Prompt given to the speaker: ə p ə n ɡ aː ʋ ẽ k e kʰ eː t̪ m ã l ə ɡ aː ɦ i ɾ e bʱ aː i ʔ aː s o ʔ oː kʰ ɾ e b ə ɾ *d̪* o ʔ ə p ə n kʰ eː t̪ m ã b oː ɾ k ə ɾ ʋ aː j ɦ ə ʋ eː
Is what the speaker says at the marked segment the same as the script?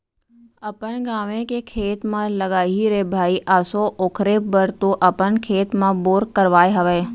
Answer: no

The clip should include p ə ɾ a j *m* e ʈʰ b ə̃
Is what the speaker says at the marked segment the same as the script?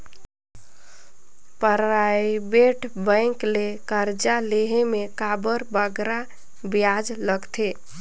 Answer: no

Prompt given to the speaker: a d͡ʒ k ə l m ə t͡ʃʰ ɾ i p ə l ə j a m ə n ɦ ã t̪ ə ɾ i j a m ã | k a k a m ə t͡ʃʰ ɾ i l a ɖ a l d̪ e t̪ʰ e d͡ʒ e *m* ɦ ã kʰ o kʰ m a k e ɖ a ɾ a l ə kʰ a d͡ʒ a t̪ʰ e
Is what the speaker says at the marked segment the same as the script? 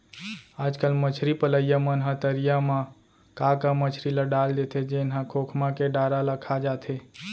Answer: no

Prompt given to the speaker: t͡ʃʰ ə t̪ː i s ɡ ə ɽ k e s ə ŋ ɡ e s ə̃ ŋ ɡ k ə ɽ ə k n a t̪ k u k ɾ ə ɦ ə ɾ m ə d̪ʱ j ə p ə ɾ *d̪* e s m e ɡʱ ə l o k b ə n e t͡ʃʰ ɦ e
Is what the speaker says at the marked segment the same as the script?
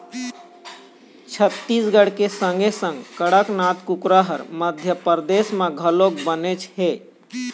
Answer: yes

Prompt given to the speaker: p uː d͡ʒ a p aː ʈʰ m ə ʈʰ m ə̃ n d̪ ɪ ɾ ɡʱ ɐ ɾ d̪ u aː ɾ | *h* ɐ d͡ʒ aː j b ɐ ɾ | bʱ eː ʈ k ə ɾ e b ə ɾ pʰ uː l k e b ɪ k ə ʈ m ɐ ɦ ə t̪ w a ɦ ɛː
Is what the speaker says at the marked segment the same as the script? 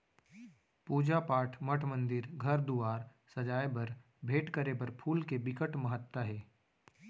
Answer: no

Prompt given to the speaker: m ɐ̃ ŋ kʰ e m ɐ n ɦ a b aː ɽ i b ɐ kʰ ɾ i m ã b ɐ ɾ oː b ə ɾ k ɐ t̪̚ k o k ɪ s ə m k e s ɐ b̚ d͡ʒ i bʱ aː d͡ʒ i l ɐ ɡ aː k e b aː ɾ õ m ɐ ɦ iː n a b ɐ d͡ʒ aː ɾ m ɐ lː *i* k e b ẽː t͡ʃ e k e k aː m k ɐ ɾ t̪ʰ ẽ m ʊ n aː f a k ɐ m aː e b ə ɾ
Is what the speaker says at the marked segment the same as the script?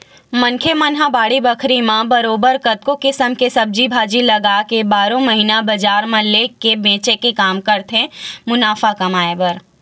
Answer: no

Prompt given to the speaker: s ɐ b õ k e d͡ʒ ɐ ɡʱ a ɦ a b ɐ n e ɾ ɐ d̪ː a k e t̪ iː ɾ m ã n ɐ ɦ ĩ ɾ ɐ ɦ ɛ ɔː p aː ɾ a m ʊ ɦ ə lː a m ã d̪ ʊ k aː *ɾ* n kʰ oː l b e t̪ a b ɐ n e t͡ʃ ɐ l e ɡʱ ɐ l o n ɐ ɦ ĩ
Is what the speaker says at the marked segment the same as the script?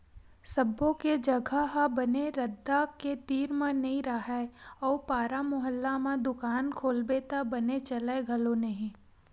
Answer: no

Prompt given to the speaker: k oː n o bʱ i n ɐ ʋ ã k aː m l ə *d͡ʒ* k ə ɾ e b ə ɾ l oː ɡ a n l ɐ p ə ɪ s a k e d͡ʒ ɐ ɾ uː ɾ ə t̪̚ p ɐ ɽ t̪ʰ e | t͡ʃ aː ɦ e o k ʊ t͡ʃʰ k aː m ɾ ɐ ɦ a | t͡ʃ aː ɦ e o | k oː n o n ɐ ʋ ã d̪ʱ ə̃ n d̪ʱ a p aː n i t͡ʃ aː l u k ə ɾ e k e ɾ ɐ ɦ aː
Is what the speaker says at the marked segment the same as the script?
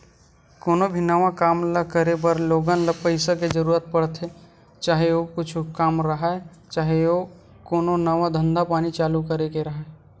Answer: no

